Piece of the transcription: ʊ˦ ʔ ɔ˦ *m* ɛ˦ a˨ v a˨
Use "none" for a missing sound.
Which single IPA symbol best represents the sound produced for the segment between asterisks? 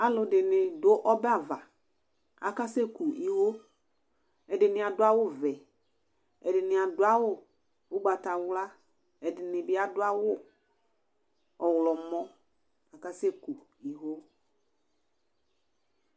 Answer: b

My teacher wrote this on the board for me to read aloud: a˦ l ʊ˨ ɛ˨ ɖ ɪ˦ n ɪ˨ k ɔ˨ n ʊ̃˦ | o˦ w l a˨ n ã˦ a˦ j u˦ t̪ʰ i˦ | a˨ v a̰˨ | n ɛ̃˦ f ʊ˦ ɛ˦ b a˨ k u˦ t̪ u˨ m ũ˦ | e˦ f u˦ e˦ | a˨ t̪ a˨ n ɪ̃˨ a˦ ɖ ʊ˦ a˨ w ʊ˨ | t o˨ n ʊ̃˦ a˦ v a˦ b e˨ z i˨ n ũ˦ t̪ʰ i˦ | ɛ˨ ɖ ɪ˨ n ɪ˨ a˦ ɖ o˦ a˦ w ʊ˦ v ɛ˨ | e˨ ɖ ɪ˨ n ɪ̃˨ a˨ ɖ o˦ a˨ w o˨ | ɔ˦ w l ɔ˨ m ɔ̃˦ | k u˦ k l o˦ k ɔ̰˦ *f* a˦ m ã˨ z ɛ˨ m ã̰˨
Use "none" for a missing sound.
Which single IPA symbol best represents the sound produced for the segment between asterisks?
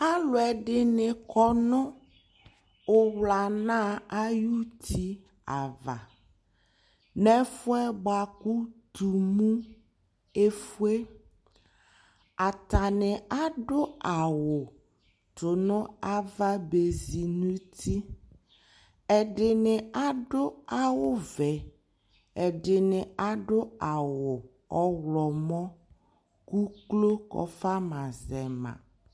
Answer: f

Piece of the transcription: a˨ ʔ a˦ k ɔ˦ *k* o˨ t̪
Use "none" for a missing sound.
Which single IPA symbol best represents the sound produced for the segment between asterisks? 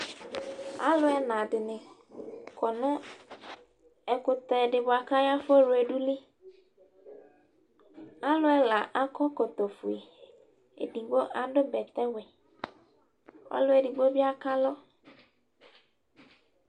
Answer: k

